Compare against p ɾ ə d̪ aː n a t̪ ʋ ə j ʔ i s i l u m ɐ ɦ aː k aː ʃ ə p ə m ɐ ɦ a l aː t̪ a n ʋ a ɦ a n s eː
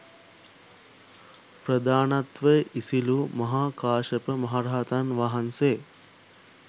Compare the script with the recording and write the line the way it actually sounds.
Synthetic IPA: p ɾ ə d̪ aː n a t̪ ʋ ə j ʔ i s i l u m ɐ ɦ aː k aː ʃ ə p ə m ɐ ɦ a ɾ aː t̪ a n ʋ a ɦ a n s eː